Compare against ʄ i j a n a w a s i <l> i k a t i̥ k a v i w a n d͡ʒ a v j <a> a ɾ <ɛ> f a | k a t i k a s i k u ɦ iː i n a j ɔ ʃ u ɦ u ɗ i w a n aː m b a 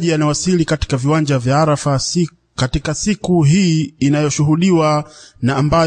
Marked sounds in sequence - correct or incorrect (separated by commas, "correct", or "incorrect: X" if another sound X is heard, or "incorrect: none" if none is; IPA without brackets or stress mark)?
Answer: correct, correct, incorrect: a